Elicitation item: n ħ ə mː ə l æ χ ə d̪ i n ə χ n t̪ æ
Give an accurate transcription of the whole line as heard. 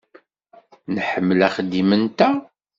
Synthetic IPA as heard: n ħ ə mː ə l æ χ ə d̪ i m ə n t̪ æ